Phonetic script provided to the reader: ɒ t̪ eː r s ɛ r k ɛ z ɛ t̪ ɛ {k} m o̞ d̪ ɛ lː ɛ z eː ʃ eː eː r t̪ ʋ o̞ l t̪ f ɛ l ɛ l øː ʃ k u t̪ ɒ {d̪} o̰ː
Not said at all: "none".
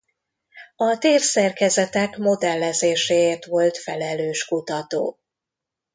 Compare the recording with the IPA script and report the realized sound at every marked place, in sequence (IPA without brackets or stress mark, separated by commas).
k, t̪